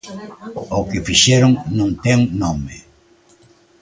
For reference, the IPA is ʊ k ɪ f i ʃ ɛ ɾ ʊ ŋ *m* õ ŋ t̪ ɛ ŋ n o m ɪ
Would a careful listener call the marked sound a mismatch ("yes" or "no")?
yes